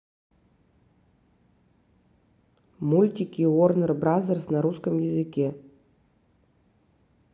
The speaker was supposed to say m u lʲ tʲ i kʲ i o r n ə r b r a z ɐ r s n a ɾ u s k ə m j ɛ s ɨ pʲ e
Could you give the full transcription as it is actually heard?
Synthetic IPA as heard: m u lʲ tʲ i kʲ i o r n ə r b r a z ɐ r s n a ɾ u s k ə m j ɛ z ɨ kʲ e